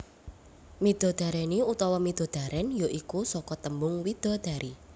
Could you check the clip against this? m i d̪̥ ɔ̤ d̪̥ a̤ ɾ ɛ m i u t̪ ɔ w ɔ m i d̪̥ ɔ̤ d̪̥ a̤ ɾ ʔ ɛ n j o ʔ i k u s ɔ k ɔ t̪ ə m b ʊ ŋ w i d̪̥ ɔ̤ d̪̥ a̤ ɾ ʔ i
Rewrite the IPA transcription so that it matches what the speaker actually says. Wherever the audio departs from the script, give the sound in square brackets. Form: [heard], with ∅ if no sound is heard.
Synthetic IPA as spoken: m i d̪̥ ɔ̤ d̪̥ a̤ ɾ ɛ [n] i u t̪ ɔ w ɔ m i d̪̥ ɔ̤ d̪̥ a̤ ɾ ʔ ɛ n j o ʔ i k u s ɔ k ɔ t̪ ə m b ʊ ŋ w i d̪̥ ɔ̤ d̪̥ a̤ ɾ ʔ i